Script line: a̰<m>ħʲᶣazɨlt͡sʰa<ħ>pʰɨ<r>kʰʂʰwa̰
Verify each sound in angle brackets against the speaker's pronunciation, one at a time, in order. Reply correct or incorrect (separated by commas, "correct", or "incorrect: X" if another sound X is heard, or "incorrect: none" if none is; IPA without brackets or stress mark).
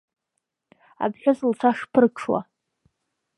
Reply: incorrect: b, incorrect: ʂ, correct